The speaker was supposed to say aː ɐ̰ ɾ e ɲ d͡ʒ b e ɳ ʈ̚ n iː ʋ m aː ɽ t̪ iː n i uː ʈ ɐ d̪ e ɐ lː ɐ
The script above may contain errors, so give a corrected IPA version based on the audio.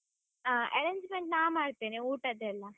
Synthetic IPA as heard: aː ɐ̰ ɾ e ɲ d͡ʒ m e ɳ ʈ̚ n aː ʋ m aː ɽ t̪ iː n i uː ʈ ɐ d̪ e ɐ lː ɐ